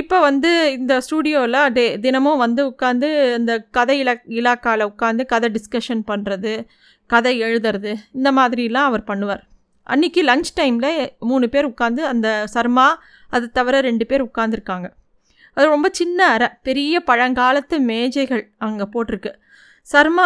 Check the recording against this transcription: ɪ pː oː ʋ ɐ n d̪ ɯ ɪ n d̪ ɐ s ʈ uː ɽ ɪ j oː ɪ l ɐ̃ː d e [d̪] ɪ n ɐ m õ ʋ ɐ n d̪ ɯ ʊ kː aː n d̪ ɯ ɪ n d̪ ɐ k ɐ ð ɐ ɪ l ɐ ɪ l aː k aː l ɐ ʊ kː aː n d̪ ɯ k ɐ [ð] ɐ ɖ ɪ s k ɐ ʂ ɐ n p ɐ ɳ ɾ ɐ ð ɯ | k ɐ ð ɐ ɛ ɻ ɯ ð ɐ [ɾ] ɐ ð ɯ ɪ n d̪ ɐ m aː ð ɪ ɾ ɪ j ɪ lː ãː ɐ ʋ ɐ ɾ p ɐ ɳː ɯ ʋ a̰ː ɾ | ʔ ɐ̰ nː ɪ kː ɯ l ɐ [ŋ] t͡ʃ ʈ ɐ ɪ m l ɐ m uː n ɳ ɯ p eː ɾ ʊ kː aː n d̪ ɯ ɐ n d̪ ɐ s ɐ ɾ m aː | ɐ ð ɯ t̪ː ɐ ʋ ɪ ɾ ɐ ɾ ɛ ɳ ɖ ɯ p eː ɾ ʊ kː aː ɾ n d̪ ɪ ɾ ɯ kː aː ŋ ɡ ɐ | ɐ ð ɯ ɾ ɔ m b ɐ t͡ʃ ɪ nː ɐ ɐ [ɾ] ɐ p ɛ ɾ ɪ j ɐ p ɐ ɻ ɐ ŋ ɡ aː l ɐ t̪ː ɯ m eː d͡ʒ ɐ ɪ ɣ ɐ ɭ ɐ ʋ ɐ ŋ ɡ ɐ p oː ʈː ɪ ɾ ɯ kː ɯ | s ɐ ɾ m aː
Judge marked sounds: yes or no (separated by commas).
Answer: yes, yes, yes, yes, yes